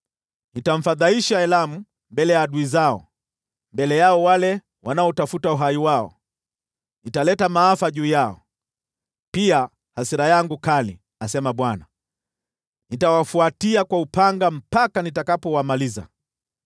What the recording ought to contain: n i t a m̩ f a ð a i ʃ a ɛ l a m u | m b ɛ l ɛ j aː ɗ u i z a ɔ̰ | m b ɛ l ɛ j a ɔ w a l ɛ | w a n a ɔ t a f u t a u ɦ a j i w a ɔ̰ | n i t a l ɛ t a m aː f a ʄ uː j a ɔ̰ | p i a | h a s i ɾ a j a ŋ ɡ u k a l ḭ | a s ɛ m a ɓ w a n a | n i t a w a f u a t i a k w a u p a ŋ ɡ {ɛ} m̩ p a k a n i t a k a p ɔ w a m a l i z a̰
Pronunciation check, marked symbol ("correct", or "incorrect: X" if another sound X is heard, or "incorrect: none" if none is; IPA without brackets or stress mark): incorrect: a